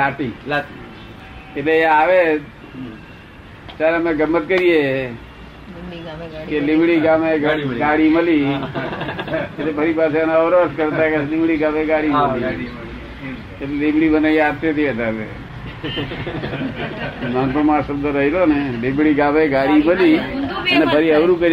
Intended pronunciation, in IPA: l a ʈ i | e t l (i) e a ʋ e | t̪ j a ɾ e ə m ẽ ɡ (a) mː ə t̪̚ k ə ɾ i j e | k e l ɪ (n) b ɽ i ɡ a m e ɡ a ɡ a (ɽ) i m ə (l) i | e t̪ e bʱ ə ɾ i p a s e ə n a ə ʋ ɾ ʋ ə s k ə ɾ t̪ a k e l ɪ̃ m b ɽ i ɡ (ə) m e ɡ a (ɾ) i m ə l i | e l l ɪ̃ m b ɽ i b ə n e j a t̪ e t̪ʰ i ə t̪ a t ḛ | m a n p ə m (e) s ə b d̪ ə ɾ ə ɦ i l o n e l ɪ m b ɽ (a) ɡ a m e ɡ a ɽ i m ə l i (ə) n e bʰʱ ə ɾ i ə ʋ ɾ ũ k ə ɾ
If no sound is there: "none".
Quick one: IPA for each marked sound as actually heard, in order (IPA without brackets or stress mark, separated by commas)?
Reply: e, ə, m, ɽ, l, a, ɽ, a, i, ə